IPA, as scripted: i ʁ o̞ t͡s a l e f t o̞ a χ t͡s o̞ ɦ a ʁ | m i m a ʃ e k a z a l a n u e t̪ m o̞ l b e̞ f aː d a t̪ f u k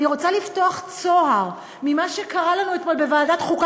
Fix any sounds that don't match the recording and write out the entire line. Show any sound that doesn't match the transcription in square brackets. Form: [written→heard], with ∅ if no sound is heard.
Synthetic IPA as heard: i ʁ o̞ t͡s a l [e→i] f t o̞ a χ t͡s o̞ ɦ a ʁ | m i m a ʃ e k a [z→ʁ] a l a n u e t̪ m o̞ l b e̞ [f→v] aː d a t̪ [f→χ] u k